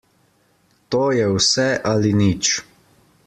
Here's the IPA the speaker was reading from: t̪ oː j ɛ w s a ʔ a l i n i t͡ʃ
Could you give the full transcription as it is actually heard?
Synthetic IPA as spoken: t̪ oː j ɛ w s ɛ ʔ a l i n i t͡ʃ

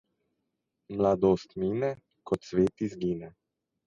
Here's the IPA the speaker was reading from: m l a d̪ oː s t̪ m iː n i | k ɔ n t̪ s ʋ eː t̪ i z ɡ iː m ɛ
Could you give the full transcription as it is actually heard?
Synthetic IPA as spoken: m l a d̪ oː s t̪ m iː n ɛ | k ɔ t̪ s ʋ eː t̪ i z ɡ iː n ɛ

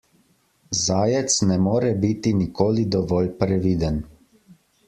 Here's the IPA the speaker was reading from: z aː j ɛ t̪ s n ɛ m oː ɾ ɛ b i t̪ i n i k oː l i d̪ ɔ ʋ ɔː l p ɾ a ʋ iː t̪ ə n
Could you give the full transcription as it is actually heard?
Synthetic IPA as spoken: z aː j ɛ t̪ s n ɛ m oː ɾ ɛ b i t̪ i n i k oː l i d̪ ɔ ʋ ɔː l p ɾ ɛ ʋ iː d̪ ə n

